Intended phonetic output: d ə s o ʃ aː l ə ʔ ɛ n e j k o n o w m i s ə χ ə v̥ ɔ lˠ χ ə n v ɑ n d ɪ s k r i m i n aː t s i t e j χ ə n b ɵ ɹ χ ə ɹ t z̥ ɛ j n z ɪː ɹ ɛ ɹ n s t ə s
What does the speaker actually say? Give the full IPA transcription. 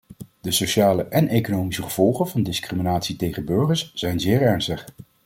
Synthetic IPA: d ə s o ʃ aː l ə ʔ ɛ n e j k o n o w m i s ə χ ə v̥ ɔ lˠ χ ə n v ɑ n d ɪ s k r i m i n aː t s i t e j χ ə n b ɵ ɹ χ ə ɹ s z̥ ɛ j n z ɪː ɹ ɛ ɹ n s t ə χ